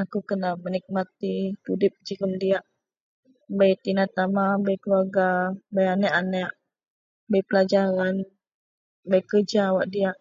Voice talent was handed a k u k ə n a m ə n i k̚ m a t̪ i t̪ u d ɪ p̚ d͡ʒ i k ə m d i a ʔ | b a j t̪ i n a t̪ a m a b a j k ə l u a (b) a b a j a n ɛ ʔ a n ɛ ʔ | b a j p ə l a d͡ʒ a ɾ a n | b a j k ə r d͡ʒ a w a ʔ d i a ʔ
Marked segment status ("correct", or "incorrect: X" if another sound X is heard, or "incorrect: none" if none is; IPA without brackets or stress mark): incorrect: ɡ